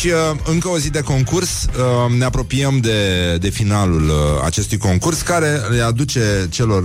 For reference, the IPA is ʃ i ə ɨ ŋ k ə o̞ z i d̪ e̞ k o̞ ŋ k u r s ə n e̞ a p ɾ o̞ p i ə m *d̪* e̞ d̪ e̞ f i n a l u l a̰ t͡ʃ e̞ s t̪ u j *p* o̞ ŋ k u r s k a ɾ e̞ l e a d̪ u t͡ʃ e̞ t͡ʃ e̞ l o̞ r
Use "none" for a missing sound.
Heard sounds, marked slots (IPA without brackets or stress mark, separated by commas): d̪, k